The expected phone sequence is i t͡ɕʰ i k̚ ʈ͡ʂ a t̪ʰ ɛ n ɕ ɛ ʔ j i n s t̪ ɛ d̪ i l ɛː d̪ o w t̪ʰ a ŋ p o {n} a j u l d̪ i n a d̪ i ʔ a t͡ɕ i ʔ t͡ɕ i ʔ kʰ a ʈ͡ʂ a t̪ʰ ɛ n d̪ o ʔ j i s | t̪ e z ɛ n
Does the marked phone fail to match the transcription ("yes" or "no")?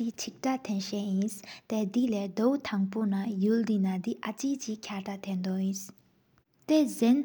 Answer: no